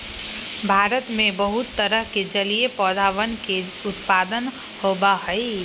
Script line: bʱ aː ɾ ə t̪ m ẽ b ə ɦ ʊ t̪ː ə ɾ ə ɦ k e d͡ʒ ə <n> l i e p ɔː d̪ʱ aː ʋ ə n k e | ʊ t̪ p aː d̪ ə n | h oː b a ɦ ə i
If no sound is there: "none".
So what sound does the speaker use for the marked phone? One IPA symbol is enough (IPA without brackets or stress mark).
none